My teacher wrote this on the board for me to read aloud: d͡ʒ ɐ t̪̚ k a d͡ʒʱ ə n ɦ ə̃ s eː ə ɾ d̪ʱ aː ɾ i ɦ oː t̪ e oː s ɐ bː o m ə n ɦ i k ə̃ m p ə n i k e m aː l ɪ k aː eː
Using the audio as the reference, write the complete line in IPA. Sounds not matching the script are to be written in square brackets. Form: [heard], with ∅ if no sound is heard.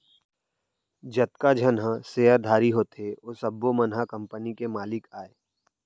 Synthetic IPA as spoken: d͡ʒ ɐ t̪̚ k a d͡ʒʱ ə n ɦ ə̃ s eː ə ɾ d̪ʱ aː ɾ i ɦ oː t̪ e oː s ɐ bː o m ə n ɦ [a] k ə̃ m p ə n i k e m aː l ɪ k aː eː